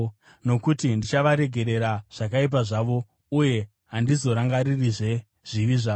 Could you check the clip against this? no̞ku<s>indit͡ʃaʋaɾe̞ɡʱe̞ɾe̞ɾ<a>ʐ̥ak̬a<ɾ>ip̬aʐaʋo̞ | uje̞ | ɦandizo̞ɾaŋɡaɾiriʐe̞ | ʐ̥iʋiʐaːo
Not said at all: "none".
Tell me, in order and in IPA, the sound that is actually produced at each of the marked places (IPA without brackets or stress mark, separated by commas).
t, a, none